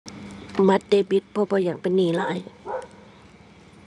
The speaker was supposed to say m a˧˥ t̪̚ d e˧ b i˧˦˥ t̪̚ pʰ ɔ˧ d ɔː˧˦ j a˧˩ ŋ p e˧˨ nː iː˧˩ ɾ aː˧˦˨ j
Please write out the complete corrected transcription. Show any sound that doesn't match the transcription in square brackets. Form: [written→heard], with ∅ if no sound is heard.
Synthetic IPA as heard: m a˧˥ t̪̚ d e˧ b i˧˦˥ t̪̚ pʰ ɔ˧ [d→b] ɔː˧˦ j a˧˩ ŋ p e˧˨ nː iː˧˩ [ɾ→l] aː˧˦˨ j